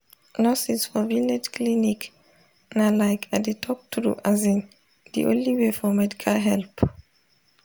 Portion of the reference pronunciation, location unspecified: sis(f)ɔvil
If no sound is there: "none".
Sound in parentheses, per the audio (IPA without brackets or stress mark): f